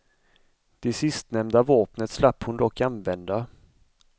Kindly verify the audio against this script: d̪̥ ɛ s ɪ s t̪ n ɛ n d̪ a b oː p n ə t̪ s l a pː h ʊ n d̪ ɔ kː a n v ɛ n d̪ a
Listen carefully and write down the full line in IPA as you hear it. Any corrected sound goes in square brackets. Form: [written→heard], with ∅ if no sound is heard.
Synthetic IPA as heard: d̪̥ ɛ s ɪ s t̪ n ɛ [n→m] d̪ a [b→v] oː p n ə t̪ s l a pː h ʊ n d̪ ɔ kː a n v ɛ n d̪ a

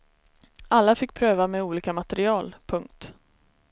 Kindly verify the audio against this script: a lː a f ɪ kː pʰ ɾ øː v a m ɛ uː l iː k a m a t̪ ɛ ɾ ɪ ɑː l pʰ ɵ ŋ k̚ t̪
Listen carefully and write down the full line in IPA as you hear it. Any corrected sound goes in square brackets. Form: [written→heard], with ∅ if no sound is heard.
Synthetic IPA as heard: a lː a f ɪ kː pʰ ɾ øː v a m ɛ uː l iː k a m a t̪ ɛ ɾ ɪ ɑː l pʰ ɵ ŋ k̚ t̪

